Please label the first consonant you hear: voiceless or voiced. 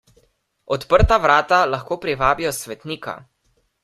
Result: voiceless